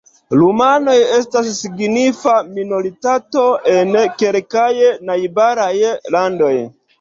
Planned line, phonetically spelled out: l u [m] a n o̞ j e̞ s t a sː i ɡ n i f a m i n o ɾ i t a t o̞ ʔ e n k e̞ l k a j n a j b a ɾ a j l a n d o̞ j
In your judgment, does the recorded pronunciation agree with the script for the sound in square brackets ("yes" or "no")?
yes